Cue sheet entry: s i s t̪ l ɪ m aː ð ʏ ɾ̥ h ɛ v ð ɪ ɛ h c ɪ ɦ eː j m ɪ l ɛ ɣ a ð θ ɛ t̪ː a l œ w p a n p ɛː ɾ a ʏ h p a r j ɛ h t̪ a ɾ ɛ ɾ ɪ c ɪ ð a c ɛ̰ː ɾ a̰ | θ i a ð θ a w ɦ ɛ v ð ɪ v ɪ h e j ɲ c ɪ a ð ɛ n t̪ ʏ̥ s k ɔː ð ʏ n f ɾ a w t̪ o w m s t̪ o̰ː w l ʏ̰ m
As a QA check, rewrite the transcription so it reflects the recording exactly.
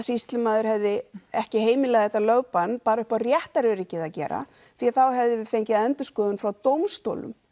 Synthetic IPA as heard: s i s t̪ l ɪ m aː ð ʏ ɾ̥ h ɛ v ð ɪ ɛ h c ɪ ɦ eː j m ɪ l ɛ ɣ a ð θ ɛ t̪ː a l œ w p a n p aː ɾ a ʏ h p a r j ɛ h t̪ a ɾ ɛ ɾ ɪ c ɪ ð a c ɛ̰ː ɾ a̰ | θ i a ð θ a w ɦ ɛ v ð ɪ v ɪ f e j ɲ c ɪ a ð ɛ n t̪ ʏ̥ s k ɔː ð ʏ n f ɾ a w t̪ o w m s t̪ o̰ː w l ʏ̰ m